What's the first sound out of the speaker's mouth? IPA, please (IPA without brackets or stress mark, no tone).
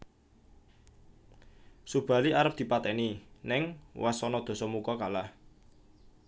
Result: s